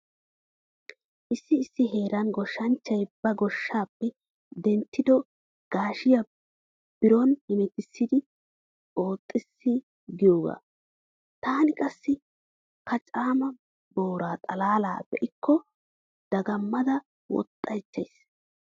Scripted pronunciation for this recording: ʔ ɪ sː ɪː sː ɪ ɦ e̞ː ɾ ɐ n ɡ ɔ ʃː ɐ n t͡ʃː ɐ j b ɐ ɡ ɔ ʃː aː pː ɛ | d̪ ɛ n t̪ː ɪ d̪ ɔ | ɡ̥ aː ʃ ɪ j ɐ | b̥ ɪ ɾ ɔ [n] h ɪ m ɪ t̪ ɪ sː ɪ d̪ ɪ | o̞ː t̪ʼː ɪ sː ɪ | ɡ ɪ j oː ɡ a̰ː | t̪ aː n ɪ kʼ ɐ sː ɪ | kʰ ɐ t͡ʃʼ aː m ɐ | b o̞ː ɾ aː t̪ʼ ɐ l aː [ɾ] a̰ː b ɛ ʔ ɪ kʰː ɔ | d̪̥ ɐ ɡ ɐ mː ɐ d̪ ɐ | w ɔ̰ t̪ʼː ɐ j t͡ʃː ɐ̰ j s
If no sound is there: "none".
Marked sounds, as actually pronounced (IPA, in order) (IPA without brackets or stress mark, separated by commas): n, l